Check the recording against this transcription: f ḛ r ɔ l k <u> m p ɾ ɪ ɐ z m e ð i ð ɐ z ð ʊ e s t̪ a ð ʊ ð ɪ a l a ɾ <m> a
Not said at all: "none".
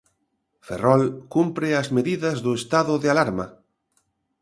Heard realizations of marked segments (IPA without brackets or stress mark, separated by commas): u, m